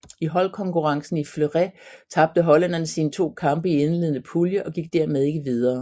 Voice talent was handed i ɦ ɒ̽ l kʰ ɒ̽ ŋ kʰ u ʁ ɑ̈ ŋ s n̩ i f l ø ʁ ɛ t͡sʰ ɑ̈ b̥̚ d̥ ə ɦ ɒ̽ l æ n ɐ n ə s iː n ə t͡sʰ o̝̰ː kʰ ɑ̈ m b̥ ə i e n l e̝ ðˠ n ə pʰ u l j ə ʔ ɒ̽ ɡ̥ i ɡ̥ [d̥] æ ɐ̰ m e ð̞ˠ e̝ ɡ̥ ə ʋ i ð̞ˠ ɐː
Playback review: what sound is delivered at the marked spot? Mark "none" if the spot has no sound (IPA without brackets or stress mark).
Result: d̥